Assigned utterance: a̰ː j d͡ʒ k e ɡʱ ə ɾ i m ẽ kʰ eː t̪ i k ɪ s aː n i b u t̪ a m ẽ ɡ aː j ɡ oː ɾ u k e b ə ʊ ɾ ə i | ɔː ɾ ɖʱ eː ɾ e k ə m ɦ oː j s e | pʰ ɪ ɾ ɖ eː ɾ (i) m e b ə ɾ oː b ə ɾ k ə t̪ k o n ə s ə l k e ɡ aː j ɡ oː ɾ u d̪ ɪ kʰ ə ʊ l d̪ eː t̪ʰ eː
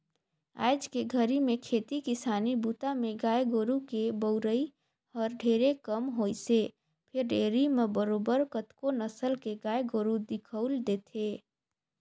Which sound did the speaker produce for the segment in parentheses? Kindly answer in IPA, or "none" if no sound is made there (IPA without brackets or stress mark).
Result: i